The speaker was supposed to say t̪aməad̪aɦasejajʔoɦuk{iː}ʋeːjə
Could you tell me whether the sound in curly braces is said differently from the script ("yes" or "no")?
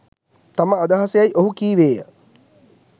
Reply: no